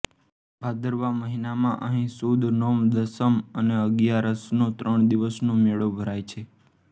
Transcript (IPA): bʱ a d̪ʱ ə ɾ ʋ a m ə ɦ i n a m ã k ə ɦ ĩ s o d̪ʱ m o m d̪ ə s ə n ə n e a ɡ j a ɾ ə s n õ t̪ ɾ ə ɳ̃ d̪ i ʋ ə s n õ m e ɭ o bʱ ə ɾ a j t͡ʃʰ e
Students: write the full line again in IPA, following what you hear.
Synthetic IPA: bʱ a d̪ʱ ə ɾ ʋ a m ə ɦ i n a m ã ʔ ə ɦ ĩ s u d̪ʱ n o m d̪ ə s ə m ə n e ə ɡ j a ɾ ə s n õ t̪ ɾ ə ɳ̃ d̪ i ʋ ə s n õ m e ɭ o bʱ ə ɾ a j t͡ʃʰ e